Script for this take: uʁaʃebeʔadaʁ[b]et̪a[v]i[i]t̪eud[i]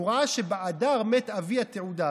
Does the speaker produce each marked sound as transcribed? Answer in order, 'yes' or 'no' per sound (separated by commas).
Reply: no, yes, no, no